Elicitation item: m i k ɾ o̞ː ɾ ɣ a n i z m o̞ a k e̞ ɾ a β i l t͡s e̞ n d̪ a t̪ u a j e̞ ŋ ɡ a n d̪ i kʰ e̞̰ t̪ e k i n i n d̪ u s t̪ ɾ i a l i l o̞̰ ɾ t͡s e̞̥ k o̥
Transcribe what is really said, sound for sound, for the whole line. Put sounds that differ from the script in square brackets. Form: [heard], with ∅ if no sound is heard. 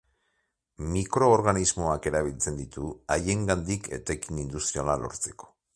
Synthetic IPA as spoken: m i k ɾ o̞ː ɾ ɣ a n i z m o̞ a k e̞ ɾ a β i l t͡s e̞ n d̪ [i] t̪ u a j e̞ ŋ ɡ a n d̪ i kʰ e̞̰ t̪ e k i n i n d̪ u s t̪ ɾ i a l [a] l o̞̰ ɾ t͡s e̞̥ k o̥